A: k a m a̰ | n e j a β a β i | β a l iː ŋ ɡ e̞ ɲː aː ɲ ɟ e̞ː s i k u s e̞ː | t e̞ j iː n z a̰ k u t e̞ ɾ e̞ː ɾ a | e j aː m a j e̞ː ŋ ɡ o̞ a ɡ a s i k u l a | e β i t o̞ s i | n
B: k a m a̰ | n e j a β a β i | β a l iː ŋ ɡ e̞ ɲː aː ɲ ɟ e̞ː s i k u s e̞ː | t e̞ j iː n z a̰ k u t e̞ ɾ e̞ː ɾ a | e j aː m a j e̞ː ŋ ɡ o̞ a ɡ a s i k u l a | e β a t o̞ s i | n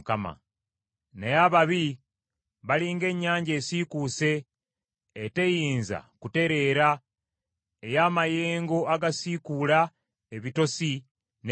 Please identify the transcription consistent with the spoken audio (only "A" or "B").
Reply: A